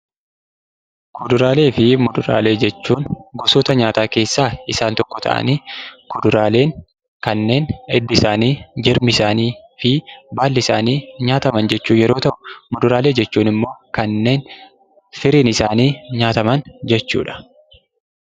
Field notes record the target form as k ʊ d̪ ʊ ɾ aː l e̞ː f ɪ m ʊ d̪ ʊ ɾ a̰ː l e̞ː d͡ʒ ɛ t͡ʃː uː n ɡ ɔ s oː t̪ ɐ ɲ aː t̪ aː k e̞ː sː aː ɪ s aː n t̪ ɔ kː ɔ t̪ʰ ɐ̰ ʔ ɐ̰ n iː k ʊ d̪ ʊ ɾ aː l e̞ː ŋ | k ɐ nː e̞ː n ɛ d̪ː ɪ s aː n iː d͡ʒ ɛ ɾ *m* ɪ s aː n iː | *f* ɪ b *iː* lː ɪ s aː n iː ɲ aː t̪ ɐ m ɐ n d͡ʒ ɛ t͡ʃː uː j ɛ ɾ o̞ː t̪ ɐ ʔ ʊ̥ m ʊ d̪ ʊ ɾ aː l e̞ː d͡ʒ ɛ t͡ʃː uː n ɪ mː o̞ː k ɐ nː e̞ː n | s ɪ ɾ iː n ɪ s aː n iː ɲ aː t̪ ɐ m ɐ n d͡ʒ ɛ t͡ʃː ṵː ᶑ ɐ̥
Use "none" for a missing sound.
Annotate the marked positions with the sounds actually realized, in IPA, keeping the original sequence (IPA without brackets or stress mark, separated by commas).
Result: m, f, aː